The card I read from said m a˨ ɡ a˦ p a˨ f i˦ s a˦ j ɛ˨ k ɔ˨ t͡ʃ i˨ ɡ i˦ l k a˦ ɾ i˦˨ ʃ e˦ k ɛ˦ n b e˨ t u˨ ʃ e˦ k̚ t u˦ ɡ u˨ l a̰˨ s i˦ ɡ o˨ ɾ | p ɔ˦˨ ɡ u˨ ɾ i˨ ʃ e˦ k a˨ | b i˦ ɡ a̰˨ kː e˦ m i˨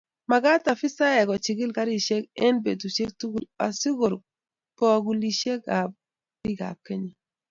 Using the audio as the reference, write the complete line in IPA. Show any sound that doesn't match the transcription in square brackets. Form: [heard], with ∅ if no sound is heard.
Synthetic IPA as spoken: m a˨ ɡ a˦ [t] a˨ f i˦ s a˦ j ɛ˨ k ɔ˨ t͡ʃ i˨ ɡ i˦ l k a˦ ɾ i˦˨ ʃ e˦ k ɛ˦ n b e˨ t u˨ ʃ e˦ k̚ t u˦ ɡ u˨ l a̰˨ s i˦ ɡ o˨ ɾ | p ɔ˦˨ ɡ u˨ [l] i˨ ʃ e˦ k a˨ | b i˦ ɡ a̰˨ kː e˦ [ɲ] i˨